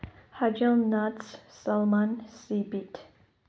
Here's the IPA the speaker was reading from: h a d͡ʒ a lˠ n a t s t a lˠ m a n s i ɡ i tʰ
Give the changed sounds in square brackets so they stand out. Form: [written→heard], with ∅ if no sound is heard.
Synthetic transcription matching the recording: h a d͡ʒ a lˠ n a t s [t→s] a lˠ m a n s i [ɡ→b] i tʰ